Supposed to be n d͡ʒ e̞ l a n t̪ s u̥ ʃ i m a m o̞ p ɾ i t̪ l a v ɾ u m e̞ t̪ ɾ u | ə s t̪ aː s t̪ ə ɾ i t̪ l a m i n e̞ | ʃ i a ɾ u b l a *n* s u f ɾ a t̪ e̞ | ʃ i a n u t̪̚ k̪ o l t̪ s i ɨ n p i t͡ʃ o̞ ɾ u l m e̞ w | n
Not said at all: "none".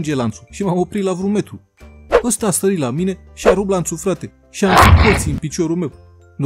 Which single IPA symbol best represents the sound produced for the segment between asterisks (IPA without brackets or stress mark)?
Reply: n